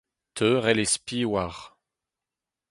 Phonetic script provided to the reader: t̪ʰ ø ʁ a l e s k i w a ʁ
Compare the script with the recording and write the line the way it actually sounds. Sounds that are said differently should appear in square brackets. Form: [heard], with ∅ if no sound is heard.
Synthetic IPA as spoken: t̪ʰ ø ʁ [ɛ] l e s [p] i w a ʁ